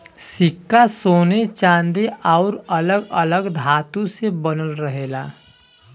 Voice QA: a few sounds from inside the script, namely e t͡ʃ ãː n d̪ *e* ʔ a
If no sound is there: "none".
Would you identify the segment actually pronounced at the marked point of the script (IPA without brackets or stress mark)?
e